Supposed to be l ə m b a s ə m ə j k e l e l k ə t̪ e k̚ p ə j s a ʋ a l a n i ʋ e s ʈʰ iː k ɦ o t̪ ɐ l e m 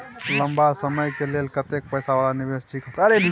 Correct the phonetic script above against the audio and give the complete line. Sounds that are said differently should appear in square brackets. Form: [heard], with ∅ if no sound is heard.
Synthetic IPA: l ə m b a s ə m ə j k e l e l k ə t̪ e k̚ p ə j s a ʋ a l a n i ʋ e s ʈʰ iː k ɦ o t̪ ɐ [ɾ] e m